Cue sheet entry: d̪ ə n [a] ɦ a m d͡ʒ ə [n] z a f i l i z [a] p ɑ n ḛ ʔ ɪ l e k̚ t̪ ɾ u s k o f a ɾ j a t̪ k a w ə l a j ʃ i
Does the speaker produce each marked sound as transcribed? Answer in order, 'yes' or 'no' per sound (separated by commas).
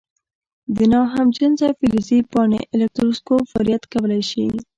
no, yes, no